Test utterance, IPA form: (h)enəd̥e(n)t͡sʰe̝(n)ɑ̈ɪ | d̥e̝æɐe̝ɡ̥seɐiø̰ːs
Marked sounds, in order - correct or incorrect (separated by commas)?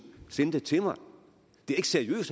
incorrect, incorrect, incorrect